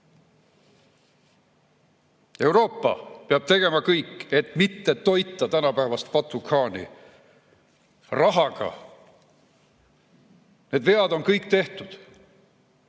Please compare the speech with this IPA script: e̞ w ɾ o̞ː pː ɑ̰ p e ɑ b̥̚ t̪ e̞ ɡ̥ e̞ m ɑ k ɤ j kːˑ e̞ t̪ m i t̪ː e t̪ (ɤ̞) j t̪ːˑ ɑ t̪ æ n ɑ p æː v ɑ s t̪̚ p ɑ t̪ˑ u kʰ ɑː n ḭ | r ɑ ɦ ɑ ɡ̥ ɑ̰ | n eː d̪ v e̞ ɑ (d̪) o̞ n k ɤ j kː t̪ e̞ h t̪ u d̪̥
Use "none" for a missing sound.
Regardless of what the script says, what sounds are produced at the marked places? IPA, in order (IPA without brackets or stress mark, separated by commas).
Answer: o̞, d̪